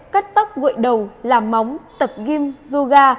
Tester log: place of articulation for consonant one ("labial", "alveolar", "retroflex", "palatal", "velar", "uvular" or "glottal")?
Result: velar